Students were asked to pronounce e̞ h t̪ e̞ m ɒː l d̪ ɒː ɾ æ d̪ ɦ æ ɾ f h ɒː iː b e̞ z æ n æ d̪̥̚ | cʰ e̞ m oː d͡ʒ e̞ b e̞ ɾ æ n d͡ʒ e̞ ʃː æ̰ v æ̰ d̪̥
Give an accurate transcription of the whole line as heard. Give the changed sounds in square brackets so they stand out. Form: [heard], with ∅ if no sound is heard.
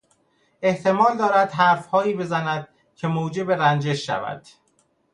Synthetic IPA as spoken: e̞ h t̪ e̞ m ɒː l d̪ ɒː ɾ æ d̪ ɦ æ ɾ f h ɒː iː b e̞ z æ n æ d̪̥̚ | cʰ e̞ m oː d͡ʒ e̞ b e̞ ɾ æ n d͡ʒ e̞ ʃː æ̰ v æ̰ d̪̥